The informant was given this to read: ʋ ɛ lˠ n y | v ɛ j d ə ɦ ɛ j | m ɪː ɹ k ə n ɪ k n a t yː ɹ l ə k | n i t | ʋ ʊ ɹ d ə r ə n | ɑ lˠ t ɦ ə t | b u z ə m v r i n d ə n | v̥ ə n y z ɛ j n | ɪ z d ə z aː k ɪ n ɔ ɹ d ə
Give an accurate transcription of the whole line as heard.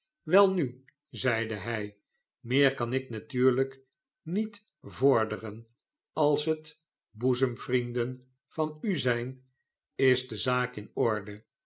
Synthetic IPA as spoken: ʋ ɛ lˠ n y | z ɛ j d ə ɦ ɛ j | m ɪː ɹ k ɑ n ɪ k n a t yː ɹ l ə k | n i t | v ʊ ɹ d ə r ə n | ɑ lˠ s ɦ ə t | b u z ə m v r i n d ə n | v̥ ɑ n y z ɛ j n | ɪ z d ə z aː k ɪ n ɔ ɹ d ə

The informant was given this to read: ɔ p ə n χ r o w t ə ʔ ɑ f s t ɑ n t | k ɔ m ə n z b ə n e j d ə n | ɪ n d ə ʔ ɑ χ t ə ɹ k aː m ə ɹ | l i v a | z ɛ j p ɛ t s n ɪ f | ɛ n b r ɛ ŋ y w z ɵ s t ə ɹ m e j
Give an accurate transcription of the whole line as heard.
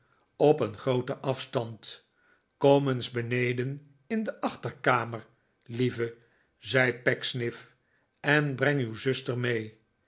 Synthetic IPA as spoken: ɔ p ə n χ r o w t ə ʔ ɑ f s t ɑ n t | k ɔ m ə n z b ə n e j d ə n | ɪ n d ə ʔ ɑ χ t ə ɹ k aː m ə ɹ | l i v ə | z ɛ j p ɛ k s n ɪ f | ɛ n b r ɛ ŋ y w z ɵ s t ə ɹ m e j

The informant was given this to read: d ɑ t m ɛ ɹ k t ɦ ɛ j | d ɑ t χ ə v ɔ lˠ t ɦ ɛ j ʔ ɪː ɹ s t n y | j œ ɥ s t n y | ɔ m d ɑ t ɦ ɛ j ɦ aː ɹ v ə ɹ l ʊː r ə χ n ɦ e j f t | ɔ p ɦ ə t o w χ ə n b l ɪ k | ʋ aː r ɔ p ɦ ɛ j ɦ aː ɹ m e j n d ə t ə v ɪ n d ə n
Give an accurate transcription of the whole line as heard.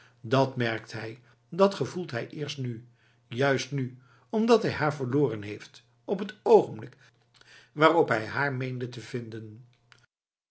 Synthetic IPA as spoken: d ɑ t m ɛ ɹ k t ɦ ɛ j | d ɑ t χ ə v u lˠ t ɦ ɛ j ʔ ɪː ɹ s t n y | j œ ɥ s t n y | ɔ m d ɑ t ɦ ɛ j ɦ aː ɹ v ə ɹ l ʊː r ə n ɦ e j f t | ɔ p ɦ ə t o w χ ə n b l ɪ k | ʋ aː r ɔ p ɦ ɛ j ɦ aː ɹ m e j n d ə t ə v ɪ n d ə n

